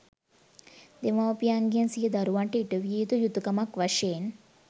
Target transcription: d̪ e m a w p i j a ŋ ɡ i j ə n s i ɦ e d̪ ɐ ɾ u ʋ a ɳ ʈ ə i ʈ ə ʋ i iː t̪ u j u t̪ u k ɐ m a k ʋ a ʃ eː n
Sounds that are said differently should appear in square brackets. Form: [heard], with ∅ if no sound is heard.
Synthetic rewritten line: d̪ e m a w p i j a ŋ ɡ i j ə n s i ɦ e d̪ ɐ ɾ u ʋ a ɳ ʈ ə i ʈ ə ʋ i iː t̪ u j u t̪ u k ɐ m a k ʋ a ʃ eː n